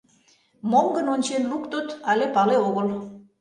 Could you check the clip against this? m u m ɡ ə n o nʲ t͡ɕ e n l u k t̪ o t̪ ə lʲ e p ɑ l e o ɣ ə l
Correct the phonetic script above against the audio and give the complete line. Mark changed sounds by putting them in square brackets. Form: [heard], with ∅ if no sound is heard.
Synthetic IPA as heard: m [o] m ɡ ə n o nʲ t͡ɕ e n l u k t̪ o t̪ [ɑ] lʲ e p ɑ l e o ɣ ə l